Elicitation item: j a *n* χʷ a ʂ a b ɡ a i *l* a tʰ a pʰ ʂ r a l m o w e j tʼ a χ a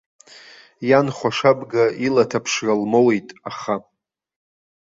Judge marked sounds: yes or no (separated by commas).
yes, yes